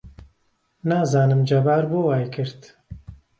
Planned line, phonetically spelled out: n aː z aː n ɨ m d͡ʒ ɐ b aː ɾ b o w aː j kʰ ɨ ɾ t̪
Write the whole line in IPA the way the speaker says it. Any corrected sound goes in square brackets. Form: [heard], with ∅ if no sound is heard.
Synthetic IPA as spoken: n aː z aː n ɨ m d͡ʒ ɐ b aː ɾ b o w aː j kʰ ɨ ɾ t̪